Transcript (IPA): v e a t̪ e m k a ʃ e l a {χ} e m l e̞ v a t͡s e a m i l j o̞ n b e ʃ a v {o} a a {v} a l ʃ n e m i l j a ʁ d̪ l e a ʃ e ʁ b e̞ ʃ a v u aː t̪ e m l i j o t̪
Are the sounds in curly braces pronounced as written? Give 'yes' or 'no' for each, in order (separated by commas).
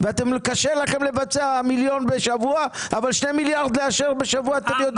yes, no, yes